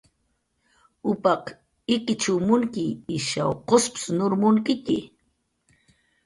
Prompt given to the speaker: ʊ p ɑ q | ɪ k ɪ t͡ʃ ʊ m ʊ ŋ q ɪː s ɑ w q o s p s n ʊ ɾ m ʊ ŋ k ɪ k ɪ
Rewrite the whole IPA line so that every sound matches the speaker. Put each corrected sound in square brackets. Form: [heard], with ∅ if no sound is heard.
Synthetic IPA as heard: ʊ p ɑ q | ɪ k ɪ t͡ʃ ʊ m ʊ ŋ [k] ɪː [ʃ] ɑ w q o s p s n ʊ ɾ m ʊ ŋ k ɪ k ɪ

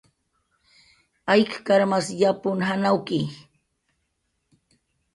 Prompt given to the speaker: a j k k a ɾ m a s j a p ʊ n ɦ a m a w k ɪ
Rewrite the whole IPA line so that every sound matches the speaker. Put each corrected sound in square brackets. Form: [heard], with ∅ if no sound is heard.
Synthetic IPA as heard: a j k k a ɾ m a s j a p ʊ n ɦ a [n] a w k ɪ

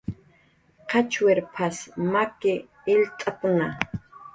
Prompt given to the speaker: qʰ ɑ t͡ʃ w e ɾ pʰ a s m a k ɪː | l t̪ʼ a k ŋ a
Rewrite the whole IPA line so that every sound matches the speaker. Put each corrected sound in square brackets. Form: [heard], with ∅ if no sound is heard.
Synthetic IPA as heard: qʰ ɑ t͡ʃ w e ɾ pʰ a s m a k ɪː | l t̪ʼ a [p] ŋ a

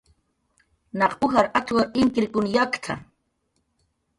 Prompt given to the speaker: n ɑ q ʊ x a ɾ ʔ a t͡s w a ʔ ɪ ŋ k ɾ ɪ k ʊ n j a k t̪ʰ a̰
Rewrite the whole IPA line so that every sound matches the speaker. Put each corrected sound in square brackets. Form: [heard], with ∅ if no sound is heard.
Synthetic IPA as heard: n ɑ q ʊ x a ɾ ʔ a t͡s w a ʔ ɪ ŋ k ɾ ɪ k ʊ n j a k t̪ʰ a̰

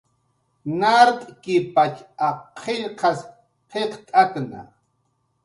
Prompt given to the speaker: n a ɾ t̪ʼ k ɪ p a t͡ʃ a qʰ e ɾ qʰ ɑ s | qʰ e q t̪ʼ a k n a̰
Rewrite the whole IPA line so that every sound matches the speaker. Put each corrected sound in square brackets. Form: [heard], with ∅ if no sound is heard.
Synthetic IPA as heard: n a ɾ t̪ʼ k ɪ p a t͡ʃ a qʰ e [ʎ] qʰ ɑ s | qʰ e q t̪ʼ a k n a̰

